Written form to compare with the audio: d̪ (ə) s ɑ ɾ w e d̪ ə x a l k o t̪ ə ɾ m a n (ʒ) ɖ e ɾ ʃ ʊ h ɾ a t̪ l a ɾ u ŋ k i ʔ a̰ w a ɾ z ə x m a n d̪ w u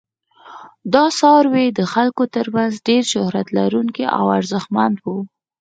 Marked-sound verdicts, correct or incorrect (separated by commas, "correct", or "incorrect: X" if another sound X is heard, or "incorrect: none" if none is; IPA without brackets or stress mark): incorrect: ɑ, incorrect: z